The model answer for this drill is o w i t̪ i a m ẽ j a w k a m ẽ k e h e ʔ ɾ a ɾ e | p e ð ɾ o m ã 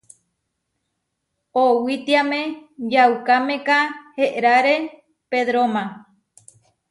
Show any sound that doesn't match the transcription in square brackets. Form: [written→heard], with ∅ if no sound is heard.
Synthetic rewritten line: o w i t̪ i a m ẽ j a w k a m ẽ k [e→a] h e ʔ ɾ a ɾ e | p e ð ɾ o m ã